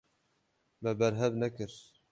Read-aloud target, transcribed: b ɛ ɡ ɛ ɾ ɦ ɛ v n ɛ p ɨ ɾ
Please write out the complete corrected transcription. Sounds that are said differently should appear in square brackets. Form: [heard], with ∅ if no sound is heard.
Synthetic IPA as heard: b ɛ [b] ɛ ɾ ɦ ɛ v n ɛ [k] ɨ ɾ